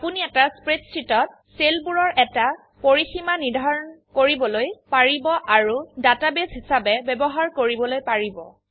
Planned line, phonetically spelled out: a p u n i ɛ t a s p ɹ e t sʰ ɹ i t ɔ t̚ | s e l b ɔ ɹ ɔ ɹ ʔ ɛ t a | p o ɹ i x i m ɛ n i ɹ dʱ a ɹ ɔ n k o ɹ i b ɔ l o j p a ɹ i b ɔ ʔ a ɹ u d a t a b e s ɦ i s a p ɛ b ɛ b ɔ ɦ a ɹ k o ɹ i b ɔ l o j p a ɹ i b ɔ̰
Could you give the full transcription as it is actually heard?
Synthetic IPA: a p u n i ɛ t a s p ɹ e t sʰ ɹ i t ɔ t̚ | s e l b u ɹ ɔ ɹ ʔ ɛ t a | p o ɹ i x i m a n i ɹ dʱ a ɹ ɔ n k o ɹ i b ɔ l o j p a ɹ i b ɔ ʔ a ɹ u d a t a b e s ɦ i s a b ɛ b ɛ b ɔ ɦ a ɹ k o ɹ i b ɔ l o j p a ɹ i b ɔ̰